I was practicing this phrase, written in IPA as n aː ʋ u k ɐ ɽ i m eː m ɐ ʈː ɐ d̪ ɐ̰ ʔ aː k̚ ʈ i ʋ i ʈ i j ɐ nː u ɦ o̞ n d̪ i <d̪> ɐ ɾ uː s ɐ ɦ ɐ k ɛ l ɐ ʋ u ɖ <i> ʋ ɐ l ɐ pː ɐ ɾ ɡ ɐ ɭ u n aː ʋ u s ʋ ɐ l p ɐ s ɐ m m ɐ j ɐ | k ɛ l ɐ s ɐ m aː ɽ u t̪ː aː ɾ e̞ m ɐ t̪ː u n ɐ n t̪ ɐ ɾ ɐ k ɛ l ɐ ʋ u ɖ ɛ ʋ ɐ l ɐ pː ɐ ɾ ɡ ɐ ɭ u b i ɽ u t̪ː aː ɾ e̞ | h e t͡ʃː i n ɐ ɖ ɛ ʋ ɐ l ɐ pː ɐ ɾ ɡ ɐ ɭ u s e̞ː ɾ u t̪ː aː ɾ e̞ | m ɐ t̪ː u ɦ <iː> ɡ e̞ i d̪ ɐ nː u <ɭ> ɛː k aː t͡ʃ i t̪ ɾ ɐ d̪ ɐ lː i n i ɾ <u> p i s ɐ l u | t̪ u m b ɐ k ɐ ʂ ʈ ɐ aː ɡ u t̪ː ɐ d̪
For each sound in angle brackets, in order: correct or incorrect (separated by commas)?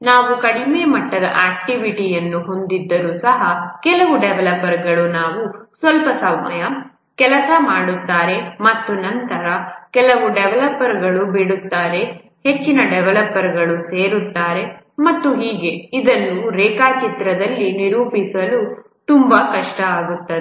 incorrect, incorrect, correct, incorrect, incorrect